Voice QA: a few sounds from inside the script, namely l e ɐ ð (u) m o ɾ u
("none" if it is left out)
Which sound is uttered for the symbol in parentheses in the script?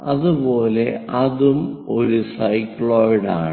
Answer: u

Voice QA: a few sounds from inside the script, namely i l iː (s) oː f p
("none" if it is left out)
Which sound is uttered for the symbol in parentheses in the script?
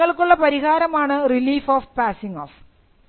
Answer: f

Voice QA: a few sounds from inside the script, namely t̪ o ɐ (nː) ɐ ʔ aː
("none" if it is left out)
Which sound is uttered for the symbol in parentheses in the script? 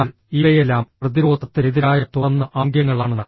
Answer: nː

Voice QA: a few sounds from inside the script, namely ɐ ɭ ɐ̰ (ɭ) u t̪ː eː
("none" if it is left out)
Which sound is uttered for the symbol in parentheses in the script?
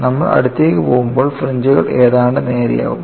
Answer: ɽ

